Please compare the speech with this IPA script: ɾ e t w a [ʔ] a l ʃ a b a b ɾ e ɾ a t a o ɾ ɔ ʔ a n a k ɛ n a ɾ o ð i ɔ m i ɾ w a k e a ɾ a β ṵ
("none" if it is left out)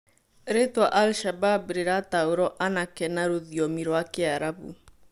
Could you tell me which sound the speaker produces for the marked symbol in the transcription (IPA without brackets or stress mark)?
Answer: ʔ